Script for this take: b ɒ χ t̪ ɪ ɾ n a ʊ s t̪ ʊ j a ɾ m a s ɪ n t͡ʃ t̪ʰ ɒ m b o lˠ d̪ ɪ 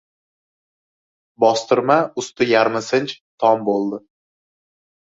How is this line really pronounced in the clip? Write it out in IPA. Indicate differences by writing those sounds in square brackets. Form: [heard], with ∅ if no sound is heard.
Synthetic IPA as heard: b ɒ [s] t̪ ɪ ɾ [m] a ʊ s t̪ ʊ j a ɾ m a s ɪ n t͡ʃ t̪ʰ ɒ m b o lˠ d̪ ɪ